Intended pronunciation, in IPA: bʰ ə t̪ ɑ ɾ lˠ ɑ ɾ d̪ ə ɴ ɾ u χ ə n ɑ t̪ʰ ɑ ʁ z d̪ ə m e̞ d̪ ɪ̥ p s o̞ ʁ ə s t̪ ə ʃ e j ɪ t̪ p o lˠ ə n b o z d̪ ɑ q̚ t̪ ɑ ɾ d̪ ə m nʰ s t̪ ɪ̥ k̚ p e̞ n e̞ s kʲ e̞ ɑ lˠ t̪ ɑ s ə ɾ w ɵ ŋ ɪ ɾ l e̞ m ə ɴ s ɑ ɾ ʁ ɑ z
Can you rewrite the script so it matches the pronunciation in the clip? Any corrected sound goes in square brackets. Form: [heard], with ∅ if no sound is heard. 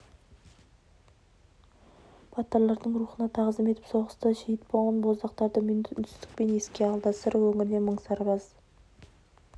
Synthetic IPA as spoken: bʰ [ɑ] t̪ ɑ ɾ lˠ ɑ ɾ d̪ ə ɴ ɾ u χ ə n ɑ t̪ʰ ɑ ʁ z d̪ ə m e̞ [t̪] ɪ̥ p s o̞ ʁ ə s t̪ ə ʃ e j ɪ t̪ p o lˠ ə n b o z d̪ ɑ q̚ t̪ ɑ ɾ d̪ ə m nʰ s t̪ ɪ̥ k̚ p e̞ n e̞ s kʲ e̞ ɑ lˠ [d̪] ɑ s ə ɾ w ɵ ŋ ɪ ɾ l e̞ m ə ɴ s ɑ ɾ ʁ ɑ z